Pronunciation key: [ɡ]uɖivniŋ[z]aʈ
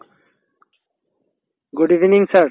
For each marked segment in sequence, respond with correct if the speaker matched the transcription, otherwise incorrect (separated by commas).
correct, incorrect